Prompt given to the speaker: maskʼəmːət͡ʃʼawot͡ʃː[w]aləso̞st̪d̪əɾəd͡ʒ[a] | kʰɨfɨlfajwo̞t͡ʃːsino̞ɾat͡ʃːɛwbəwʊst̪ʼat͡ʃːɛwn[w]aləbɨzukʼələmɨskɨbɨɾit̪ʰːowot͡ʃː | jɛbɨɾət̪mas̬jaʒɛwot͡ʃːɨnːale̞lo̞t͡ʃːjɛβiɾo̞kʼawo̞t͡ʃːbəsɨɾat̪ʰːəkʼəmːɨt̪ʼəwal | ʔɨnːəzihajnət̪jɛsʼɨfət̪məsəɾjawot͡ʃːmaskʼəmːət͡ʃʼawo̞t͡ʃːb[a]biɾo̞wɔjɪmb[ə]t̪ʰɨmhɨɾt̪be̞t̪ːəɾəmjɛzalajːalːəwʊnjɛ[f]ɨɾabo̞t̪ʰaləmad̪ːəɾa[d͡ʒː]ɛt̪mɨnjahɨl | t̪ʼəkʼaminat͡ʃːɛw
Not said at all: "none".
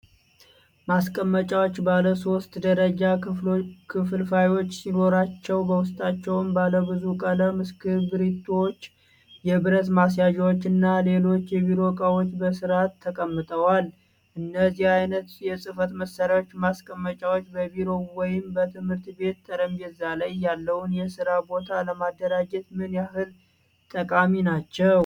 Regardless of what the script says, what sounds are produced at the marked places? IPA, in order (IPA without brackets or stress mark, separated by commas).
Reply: b, a, b, ə, ə, s, d͡ʒ